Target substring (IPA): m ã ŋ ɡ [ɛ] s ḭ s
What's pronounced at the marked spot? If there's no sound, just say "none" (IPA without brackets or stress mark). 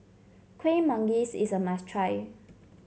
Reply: i